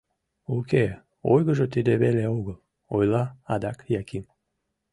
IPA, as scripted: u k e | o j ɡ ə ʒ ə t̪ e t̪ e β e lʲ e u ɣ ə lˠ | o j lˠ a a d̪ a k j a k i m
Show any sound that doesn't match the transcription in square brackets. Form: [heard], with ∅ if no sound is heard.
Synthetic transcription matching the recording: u k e | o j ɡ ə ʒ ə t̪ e [d̪] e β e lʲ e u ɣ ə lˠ | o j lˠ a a d̪ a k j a k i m